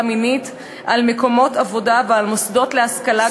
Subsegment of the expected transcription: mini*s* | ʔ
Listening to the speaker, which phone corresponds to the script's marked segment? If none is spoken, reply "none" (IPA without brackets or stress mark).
t